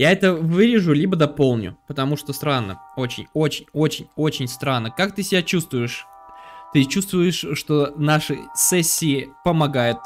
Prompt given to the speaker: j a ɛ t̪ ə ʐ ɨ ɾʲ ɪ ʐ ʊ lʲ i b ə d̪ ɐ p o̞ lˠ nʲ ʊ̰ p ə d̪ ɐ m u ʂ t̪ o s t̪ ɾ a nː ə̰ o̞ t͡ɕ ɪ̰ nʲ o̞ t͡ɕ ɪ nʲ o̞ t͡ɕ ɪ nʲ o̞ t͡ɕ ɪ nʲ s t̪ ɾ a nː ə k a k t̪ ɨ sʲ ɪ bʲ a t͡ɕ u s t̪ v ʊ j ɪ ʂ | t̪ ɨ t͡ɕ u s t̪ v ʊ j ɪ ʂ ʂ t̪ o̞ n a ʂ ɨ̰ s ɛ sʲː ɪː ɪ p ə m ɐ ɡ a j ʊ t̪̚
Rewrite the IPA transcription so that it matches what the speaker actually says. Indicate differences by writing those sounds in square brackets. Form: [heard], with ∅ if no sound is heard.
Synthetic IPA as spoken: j a ɛ t̪ ə [v] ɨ ɾʲ ɪ ʐ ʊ lʲ i b ə d̪ ɐ p o̞ lˠ nʲ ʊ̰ p ə [t̪] ɐ m u ʂ t̪ o s t̪ ɾ a nː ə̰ o̞ t͡ɕ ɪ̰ nʲ o̞ t͡ɕ ɪ nʲ o̞ t͡ɕ ɪ nʲ o̞ t͡ɕ ɪ nʲ s t̪ ɾ a nː ə k a k t̪ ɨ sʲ ɪ bʲ a t͡ɕ u s t̪ v ʊ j ɪ ʂ | t̪ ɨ t͡ɕ u s t̪ v ʊ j ɪ ʂ ʂ t̪ o̞ n a ʂ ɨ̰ s ɛ sʲː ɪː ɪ p ə m ɐ ɡ a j ʊ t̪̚